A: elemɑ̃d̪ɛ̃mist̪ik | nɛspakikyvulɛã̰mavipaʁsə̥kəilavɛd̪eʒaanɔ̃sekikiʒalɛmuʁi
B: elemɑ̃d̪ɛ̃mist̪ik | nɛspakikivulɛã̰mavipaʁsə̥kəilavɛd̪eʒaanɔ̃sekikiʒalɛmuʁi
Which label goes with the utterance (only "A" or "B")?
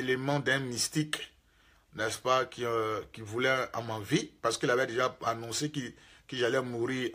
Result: B